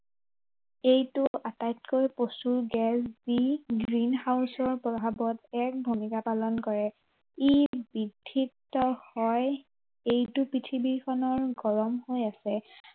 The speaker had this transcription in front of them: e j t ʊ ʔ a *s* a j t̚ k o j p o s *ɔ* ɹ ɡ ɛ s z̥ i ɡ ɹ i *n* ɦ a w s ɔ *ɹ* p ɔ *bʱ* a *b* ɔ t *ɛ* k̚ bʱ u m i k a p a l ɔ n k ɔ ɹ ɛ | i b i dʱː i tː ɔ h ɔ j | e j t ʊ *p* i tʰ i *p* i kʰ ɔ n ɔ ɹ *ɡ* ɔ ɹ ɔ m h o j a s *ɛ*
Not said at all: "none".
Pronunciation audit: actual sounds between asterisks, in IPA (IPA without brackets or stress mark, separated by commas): t, u, n, ɹ, bʱ, b, ɛ, p, b, ɡ, ɛ